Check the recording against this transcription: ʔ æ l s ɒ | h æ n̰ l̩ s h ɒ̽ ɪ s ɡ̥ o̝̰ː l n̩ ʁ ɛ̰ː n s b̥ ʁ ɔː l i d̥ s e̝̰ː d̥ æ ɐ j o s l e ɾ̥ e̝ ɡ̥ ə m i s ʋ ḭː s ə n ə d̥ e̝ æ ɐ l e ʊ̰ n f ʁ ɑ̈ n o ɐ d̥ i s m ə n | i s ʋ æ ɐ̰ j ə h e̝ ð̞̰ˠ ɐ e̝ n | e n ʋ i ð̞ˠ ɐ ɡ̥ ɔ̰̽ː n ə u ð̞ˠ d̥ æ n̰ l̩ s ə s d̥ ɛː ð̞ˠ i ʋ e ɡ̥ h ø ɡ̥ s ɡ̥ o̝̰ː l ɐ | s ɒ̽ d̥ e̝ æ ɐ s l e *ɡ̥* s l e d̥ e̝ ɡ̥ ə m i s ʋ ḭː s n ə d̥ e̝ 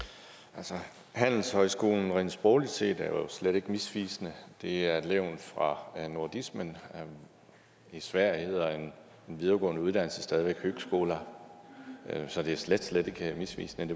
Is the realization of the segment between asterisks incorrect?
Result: yes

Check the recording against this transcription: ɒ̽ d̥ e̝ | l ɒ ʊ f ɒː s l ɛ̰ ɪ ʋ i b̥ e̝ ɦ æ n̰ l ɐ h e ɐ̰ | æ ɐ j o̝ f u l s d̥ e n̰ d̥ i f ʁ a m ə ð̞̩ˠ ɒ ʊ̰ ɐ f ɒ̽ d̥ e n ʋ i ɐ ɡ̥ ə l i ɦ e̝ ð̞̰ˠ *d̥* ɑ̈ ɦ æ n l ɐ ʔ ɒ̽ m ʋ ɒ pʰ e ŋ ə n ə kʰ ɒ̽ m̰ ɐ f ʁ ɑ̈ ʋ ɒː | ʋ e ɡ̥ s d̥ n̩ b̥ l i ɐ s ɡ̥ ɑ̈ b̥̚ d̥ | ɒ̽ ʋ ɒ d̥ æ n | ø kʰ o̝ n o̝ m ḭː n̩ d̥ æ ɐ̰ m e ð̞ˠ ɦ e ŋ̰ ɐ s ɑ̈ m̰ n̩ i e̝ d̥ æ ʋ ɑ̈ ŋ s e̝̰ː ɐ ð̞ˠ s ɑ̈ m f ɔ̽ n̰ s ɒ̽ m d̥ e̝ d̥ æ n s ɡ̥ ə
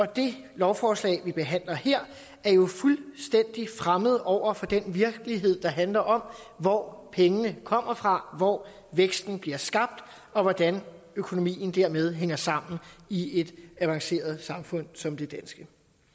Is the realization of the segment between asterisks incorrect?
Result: no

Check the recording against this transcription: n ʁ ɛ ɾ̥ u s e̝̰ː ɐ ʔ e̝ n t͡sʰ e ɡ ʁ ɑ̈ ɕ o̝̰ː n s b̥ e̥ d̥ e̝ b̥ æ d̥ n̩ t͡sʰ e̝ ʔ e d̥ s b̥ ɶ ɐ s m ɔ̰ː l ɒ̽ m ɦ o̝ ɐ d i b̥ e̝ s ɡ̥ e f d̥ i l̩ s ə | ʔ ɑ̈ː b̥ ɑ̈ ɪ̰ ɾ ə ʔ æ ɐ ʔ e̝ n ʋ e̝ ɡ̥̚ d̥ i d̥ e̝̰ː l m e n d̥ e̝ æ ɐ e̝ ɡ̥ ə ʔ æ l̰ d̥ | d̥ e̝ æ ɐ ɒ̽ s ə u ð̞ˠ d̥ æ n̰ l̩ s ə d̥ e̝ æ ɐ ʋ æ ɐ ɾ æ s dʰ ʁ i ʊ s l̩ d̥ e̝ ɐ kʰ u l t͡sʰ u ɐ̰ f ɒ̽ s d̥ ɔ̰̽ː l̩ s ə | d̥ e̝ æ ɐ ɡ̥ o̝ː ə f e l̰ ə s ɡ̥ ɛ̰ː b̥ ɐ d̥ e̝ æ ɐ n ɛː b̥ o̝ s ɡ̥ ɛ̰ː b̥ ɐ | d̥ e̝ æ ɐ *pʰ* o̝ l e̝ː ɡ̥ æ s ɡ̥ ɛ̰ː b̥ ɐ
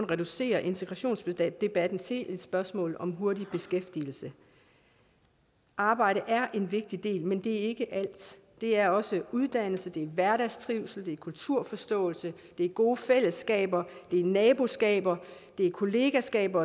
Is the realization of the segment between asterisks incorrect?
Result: yes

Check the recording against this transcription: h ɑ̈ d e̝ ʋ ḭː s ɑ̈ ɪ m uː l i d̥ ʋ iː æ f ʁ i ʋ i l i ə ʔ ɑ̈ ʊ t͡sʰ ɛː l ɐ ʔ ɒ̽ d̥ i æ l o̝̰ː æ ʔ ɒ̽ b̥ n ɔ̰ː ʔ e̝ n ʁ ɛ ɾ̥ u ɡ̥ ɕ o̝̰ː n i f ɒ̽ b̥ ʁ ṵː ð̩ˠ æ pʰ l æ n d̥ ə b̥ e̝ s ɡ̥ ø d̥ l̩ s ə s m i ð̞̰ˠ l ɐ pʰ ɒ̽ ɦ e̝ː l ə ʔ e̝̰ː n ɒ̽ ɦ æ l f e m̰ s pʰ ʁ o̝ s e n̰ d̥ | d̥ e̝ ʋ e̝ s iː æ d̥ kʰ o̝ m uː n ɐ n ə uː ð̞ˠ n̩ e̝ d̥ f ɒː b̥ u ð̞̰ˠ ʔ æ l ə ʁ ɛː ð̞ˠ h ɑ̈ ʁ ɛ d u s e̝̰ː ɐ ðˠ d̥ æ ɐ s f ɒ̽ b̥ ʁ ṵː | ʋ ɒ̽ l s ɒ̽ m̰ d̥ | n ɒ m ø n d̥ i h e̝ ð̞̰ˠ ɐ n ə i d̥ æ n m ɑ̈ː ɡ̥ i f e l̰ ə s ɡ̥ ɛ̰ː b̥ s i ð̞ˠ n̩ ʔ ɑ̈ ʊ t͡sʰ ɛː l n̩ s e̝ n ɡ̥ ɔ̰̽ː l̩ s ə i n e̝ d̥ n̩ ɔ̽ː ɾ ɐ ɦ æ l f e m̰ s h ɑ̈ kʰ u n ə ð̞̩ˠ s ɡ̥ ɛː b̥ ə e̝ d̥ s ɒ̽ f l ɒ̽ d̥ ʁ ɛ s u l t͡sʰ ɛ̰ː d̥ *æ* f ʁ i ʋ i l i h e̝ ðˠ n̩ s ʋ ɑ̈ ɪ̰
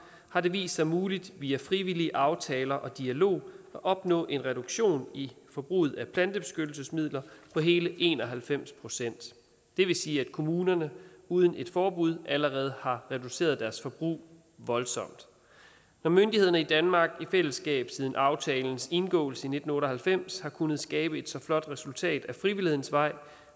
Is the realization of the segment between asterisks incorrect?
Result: no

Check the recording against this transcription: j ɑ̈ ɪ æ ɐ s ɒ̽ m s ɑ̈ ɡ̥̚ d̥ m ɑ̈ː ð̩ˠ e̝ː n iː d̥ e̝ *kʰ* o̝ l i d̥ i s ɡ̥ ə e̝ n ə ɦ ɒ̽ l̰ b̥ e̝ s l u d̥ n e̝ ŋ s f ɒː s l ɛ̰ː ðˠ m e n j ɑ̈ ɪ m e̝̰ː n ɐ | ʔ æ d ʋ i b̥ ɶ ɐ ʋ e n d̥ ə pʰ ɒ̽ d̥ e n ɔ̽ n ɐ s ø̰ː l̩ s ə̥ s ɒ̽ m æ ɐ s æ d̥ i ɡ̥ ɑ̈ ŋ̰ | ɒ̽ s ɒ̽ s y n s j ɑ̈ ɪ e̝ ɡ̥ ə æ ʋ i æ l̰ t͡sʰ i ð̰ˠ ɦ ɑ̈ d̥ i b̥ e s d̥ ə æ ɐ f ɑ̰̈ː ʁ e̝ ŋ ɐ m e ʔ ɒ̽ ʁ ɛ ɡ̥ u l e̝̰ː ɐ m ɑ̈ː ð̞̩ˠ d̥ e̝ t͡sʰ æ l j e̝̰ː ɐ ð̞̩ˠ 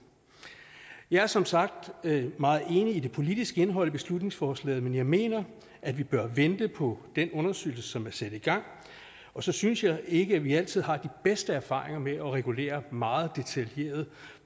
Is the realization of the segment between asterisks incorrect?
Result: yes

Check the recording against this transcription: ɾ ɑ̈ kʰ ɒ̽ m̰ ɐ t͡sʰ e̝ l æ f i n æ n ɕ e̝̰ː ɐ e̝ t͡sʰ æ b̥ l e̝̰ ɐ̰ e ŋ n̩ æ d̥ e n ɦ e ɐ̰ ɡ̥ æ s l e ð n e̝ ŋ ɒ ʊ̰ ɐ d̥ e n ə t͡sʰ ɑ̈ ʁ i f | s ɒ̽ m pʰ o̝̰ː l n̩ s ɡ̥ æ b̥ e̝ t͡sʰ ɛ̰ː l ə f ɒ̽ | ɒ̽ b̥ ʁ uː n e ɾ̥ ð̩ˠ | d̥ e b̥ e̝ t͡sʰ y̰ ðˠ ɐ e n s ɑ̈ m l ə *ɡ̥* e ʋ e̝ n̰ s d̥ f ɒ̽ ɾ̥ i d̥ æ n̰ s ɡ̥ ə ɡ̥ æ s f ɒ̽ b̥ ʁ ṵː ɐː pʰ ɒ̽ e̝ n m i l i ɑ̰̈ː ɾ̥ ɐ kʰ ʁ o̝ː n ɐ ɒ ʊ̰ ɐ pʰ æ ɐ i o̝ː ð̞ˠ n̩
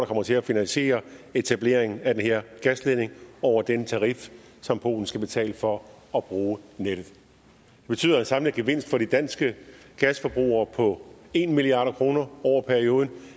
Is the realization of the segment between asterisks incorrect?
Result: no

